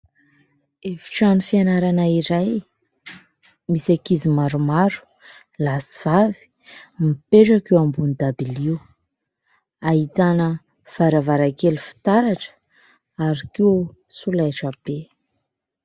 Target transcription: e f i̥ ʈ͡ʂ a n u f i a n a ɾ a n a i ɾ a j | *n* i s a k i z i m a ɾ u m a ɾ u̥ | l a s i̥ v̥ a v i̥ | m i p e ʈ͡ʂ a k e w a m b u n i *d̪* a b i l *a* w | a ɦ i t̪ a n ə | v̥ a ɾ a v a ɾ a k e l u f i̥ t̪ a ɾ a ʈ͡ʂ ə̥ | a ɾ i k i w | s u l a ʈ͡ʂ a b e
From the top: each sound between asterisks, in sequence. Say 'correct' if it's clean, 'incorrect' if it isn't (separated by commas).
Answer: incorrect, correct, incorrect